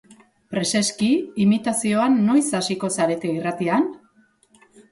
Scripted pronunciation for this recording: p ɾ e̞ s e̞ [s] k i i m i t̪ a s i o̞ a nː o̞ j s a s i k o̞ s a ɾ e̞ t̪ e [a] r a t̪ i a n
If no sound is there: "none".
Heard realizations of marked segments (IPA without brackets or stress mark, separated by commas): s, i